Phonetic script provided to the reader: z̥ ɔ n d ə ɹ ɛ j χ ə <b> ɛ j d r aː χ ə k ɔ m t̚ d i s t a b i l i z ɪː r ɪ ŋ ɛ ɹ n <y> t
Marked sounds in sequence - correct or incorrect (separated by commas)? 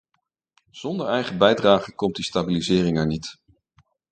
correct, incorrect